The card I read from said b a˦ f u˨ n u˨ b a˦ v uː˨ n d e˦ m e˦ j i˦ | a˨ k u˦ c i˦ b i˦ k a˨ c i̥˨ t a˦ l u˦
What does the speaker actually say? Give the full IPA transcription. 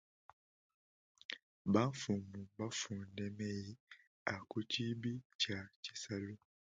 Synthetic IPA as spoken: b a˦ f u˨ m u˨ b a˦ f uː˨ n d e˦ m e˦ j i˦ | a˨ k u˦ c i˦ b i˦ c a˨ c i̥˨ s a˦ l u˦